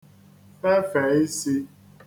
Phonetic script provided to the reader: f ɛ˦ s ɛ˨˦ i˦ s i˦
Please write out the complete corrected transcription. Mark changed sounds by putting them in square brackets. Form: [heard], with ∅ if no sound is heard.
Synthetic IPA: f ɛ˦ [f] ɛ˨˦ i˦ s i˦